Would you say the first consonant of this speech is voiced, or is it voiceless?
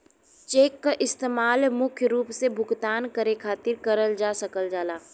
voiceless